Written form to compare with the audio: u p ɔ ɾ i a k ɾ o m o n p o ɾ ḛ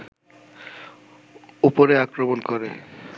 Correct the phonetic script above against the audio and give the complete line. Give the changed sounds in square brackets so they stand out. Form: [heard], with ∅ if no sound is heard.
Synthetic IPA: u p [o] ɾ [e] a k ɾ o m o n [k] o ɾ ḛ

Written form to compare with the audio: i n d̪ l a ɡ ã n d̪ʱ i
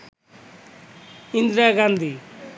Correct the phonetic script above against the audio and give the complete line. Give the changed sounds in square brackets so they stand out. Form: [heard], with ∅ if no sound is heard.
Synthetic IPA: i n d̪ [ɾ] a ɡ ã n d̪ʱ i

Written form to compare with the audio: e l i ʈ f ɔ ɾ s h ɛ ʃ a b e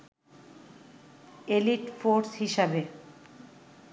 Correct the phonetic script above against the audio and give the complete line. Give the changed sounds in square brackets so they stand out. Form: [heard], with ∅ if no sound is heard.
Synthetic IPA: e l i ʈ f [o] ɾ s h [i] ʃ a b e

